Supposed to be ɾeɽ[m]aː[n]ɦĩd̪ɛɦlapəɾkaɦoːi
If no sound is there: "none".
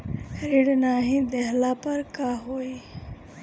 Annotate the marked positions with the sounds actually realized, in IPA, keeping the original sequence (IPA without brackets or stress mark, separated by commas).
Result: n, none